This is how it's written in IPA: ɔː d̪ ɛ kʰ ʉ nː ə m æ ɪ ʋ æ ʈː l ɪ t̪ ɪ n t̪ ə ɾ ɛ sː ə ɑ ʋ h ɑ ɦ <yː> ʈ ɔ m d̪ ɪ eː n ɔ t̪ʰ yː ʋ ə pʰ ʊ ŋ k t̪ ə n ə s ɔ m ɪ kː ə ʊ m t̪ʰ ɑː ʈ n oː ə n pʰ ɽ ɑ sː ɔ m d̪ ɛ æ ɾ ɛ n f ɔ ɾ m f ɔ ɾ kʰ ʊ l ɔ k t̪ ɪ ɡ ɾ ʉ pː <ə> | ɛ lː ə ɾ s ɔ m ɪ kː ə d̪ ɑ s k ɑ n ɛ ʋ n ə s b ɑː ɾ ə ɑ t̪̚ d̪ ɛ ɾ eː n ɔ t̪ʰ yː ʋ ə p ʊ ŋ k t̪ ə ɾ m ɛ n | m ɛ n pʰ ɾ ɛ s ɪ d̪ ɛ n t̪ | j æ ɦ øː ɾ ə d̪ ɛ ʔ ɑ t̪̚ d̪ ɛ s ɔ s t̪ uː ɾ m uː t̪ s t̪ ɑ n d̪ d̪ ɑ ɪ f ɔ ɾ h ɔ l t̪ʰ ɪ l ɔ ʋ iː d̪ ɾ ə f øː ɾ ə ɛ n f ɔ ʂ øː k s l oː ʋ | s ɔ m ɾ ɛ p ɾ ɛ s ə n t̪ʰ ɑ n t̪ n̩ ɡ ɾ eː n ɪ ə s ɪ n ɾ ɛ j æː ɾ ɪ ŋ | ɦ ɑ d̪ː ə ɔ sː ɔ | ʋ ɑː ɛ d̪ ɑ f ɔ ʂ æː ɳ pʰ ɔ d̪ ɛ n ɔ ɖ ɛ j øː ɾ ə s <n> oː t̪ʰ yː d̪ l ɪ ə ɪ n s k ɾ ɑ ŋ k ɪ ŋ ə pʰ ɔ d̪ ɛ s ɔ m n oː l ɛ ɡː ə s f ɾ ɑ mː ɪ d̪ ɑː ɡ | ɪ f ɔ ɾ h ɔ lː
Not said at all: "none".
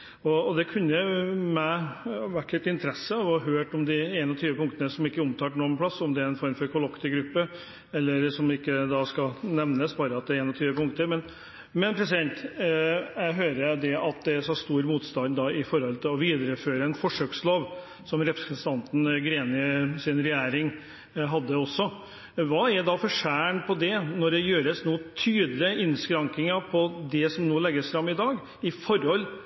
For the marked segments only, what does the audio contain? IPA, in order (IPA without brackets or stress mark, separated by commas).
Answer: øː, ə, n